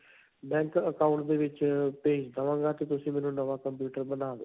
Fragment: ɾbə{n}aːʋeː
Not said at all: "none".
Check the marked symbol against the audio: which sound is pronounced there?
n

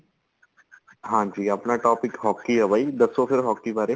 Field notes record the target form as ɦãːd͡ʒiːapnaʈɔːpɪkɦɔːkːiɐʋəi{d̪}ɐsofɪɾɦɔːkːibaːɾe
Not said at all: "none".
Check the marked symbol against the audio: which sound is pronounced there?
d̪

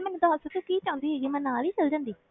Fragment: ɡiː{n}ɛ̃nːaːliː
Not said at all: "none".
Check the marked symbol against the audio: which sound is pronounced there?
m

